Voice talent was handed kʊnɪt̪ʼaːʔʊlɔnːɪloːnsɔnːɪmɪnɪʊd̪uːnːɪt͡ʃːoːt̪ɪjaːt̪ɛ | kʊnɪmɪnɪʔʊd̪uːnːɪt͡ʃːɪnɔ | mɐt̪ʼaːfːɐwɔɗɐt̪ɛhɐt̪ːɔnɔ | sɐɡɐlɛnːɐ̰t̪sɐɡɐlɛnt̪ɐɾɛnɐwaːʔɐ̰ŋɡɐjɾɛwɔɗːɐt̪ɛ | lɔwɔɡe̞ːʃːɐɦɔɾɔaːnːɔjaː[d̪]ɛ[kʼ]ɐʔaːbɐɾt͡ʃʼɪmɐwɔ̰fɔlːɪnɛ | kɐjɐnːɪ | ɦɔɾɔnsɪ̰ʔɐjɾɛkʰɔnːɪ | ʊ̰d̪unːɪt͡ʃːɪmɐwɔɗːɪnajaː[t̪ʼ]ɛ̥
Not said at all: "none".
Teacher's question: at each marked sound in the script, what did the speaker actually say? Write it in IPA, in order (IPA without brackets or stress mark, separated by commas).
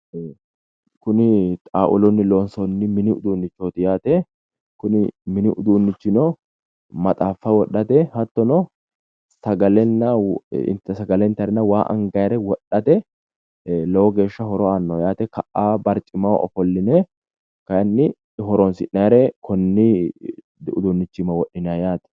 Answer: t̪, k, t̪